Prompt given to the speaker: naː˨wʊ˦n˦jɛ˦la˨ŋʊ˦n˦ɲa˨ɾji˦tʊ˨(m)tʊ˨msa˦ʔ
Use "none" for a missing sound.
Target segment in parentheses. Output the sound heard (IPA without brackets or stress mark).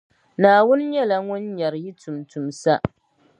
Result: m